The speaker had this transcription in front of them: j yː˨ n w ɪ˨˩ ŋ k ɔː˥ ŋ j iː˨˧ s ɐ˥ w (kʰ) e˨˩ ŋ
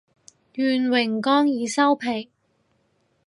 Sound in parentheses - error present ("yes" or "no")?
yes